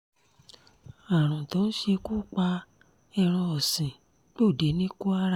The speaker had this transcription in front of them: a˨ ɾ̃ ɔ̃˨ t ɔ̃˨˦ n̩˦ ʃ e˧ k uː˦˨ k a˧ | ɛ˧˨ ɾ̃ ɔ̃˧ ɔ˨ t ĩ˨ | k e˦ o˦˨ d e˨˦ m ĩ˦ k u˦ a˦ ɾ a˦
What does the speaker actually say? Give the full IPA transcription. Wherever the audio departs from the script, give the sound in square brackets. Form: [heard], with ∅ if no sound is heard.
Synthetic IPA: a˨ ɾ̃ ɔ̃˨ t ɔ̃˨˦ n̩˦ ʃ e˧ k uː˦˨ [k͡p] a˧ | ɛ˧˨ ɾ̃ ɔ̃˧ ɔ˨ [s] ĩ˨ | [k͡p] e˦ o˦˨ d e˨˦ [n] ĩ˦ k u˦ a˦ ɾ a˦